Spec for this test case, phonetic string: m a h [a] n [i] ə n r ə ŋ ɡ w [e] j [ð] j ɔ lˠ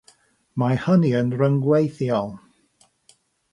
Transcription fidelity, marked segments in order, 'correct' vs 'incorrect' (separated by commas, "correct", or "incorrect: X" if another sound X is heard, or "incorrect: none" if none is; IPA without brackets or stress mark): incorrect: ə, correct, correct, incorrect: θ